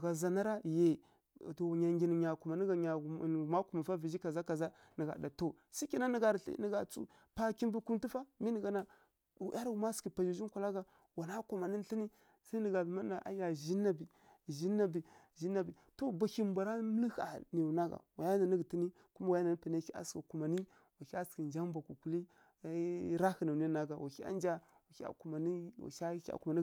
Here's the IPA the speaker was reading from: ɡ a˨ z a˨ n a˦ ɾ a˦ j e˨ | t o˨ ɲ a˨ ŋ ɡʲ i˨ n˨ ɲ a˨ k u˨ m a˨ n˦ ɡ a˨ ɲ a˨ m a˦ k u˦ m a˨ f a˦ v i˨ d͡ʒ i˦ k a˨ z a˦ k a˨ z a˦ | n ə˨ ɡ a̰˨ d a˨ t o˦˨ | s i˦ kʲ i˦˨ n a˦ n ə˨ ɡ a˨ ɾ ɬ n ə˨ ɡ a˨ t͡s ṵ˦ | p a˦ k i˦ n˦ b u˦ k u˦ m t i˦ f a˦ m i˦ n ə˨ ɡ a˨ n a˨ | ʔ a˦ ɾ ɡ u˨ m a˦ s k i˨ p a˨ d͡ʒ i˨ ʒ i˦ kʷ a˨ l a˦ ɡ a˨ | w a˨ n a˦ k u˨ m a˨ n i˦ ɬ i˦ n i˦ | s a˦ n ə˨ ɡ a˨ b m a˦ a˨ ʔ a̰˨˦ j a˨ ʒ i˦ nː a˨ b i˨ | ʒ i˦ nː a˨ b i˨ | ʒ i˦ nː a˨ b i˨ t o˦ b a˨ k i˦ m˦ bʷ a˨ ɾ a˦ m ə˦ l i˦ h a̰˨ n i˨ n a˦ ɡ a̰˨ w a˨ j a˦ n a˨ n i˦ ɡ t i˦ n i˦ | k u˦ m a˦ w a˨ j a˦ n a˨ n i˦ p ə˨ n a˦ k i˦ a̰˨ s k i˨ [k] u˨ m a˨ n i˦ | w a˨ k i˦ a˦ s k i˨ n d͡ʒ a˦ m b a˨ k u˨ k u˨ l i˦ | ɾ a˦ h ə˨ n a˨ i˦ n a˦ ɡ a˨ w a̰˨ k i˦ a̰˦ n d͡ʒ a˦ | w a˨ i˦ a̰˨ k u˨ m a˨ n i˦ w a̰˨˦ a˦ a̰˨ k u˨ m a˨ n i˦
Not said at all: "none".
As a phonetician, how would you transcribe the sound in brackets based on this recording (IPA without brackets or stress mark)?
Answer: k